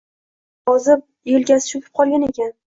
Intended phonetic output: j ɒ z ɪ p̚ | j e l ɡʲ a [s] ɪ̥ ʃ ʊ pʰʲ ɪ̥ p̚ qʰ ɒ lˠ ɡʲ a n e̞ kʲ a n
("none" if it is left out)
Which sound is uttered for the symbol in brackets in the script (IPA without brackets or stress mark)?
s